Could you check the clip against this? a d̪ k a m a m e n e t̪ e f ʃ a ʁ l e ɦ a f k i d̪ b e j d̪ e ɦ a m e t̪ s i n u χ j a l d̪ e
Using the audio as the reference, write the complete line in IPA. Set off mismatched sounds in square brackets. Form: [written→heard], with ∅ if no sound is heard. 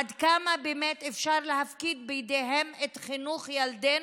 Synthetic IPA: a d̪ k a m a [m→b] e [n→m] e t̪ e f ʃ a ʁ l e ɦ a f k i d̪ b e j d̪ e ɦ [a→e] m e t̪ [s→χ] i n u χ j a l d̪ e